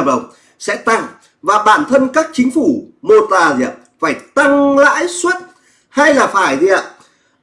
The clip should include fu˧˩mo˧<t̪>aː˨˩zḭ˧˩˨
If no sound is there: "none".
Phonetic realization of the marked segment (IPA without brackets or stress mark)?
t̪